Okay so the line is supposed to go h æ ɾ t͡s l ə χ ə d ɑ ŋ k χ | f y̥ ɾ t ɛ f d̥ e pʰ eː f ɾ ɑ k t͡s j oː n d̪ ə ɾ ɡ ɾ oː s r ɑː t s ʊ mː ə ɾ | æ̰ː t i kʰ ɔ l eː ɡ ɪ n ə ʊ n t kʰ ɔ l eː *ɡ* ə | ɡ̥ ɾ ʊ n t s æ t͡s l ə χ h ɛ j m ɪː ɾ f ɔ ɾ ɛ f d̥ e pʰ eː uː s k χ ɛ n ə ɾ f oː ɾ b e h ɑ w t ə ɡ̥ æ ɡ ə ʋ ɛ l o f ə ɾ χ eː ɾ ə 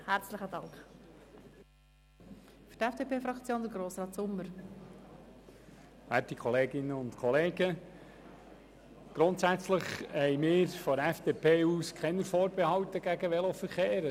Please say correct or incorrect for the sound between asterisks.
correct